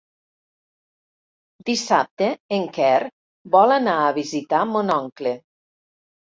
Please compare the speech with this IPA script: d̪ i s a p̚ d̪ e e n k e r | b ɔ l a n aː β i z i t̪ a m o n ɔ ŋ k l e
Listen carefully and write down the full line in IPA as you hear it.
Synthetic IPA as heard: d̪ i s a p̚ t̪ e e ŋ k ɛ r | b ɔ l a n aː β i z i t̪ a m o n ɔ ŋ k l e